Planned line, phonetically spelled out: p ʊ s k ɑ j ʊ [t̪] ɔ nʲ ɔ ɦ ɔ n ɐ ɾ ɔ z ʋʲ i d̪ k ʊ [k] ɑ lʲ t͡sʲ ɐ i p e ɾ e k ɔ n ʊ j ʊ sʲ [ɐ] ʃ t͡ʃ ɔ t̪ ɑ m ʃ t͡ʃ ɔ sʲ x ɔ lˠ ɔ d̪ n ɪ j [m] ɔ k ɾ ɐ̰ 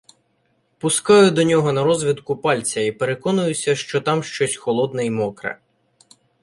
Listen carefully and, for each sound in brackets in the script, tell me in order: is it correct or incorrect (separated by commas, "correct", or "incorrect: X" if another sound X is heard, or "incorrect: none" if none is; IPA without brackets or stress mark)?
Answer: incorrect: d̪, incorrect: p, correct, correct